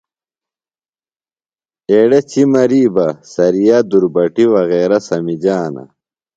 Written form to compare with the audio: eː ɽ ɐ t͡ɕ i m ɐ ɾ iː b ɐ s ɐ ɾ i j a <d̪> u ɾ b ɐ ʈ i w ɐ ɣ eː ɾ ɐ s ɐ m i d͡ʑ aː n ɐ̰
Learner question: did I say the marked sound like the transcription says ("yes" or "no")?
yes